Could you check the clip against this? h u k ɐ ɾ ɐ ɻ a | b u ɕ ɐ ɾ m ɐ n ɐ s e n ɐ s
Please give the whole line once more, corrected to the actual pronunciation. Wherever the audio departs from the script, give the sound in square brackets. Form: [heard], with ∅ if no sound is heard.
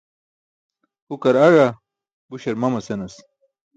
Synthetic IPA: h u k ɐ ɾ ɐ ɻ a | b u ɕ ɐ ɾ m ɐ [m] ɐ s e n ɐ s